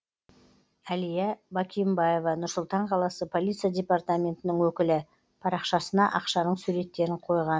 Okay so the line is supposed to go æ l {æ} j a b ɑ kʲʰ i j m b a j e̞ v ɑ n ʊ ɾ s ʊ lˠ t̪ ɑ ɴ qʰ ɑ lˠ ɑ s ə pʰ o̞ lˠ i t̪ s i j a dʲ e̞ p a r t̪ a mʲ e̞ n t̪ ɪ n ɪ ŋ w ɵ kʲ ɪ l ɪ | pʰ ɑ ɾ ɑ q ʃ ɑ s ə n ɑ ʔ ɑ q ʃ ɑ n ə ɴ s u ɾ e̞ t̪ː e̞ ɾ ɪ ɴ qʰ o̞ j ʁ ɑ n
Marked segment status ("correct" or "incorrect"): incorrect